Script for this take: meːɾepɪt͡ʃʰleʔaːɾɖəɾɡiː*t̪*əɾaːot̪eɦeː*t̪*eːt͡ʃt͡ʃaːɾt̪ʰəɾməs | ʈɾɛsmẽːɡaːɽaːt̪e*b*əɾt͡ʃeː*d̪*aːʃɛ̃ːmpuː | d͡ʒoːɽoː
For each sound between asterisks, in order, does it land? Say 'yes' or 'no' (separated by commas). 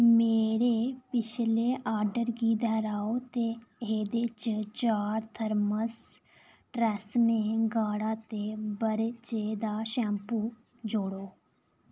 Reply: no, no, yes, yes